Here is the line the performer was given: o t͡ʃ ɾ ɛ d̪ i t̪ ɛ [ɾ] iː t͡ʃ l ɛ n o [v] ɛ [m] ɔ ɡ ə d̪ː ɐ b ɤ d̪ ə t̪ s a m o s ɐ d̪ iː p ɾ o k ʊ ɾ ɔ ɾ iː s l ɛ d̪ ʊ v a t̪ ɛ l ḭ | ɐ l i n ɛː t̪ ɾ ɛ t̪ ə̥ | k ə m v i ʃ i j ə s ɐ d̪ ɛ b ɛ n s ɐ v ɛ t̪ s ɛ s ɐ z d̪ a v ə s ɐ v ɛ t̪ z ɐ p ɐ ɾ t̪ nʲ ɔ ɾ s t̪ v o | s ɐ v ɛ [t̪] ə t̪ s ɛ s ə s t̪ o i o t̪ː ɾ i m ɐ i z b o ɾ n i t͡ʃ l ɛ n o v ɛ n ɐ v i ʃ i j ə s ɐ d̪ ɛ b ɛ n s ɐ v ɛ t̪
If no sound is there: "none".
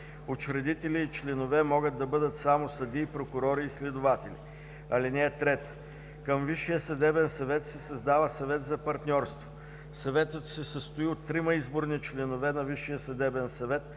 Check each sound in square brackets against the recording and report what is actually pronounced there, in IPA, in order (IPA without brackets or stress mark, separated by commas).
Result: l, v, m, t̪